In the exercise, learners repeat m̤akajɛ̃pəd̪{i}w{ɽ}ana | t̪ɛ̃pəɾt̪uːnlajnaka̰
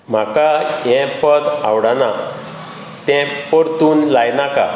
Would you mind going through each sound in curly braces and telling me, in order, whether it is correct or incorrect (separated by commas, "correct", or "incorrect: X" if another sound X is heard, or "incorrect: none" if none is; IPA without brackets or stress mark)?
incorrect: a, correct